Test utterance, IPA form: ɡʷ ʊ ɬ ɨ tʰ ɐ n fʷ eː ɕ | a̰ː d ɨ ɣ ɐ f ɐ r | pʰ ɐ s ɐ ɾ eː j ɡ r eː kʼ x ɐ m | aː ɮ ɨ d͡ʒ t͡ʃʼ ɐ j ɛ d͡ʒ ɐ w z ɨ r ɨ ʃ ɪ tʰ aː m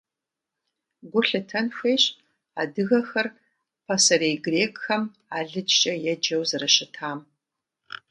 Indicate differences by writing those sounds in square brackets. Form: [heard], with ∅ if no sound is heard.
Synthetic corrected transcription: ɡʷ ʊ ɬ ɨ tʰ ɐ n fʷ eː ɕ | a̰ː d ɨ ɣ ɐ [x] ɐ r | pʰ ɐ s ɐ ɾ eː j ɡ r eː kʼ x ɐ m | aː ɮ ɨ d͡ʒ t͡ʃʼ ɐ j ɛ d͡ʒ ɐ w z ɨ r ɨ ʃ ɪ tʰ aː m